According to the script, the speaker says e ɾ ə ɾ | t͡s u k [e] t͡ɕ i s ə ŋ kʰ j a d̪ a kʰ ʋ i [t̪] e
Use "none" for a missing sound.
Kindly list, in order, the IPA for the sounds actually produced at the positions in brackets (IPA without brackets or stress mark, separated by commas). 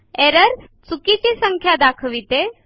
i, t̪